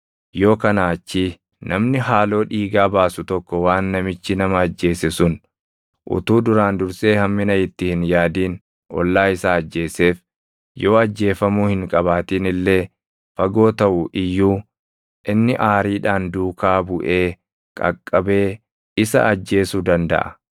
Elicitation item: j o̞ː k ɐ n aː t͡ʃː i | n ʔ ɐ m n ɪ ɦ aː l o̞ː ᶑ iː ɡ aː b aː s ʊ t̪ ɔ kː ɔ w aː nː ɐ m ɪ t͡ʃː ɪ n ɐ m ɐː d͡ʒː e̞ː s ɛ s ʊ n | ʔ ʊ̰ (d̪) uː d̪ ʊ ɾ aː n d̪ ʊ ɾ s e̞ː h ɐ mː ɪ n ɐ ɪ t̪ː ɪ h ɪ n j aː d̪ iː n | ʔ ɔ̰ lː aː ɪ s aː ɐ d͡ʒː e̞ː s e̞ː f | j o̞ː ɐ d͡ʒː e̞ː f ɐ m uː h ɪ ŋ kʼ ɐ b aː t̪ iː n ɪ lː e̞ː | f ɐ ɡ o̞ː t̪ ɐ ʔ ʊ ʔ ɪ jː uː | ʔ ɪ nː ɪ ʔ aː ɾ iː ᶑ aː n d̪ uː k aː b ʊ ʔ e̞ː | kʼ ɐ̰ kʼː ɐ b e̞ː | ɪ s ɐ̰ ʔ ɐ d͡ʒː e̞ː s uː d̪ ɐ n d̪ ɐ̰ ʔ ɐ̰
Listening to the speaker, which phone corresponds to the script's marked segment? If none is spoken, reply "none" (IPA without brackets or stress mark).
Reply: t̪